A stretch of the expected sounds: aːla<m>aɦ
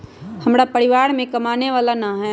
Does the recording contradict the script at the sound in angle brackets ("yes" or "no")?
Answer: yes